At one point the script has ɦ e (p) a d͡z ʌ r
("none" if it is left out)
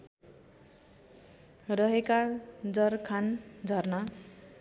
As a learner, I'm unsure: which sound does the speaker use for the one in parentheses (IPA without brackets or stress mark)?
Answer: k